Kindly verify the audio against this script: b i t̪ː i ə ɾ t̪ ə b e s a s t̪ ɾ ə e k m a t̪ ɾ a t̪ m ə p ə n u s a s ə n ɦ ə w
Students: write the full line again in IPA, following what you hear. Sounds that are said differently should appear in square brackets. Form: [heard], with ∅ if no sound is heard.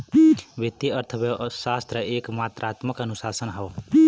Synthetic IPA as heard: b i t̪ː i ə ɾ [t̪ʰ] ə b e s a s t̪ ɾ ə e k m a t̪ ɾ a t̪ m ə [k] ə n u s a s ə n ɦ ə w